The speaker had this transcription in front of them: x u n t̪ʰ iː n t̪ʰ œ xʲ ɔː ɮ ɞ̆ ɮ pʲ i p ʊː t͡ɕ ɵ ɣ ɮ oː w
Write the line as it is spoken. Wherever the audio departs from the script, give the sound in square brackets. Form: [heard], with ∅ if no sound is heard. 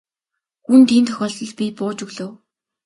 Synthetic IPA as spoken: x u n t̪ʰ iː n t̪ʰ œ xʲ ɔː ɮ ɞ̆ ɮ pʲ i p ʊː t͡ɕ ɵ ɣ ɮ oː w